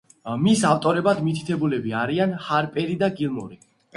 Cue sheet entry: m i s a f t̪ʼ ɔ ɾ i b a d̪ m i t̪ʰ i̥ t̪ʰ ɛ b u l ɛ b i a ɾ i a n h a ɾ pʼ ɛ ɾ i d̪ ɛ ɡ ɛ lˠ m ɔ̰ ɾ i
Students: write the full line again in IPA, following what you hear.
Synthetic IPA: m i s a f t̪ʼ ɔ ɾ ɛ b a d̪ m i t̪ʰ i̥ t̪ʰ ɛ b u l ɛ b i a ɾ i a n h a ɾ pʼ ɛ ɾ i d̪ a ɡ i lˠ m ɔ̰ ɾ i